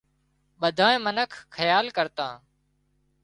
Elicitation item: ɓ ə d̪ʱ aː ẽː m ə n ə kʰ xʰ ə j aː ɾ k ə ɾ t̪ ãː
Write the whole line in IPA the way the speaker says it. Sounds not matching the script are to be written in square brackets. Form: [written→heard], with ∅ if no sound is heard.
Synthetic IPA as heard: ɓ ə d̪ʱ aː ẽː m ə n ə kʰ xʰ ə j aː [ɾ→l] k ə ɾ t̪ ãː